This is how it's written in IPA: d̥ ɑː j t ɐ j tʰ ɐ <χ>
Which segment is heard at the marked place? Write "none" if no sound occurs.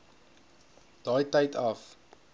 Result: f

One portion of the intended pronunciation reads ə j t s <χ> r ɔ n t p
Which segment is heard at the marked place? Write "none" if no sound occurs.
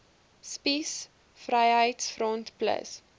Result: f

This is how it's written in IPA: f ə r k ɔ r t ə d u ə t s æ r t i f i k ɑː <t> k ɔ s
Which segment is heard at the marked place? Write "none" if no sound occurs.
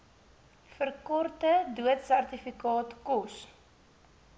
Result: t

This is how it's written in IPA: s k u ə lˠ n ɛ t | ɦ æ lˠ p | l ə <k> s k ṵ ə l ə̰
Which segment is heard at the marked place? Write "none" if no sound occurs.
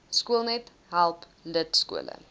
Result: t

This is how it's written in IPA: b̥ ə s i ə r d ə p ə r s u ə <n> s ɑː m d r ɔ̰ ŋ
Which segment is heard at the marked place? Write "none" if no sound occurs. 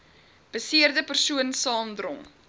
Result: n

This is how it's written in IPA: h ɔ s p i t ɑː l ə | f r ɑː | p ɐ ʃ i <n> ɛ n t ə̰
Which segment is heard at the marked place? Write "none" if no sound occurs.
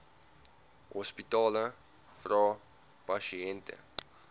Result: none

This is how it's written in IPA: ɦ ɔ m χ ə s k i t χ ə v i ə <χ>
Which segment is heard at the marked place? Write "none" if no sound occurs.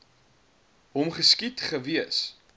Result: s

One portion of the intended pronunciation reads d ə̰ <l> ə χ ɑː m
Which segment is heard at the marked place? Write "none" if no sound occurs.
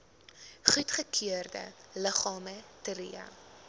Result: l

